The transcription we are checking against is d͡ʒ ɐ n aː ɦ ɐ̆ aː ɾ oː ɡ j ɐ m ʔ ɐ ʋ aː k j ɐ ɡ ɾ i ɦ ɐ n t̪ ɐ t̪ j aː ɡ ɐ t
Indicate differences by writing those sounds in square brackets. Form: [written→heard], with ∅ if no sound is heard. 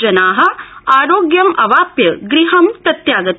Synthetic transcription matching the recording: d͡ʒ ɐ n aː ɦ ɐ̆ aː ɾ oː ɡ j ɐ m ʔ ɐ ʋ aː [k→p] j ɐ ɡ ɾ i ɦ ɐ [n→m] t̪ ɐ t̪ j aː ɡ ɐ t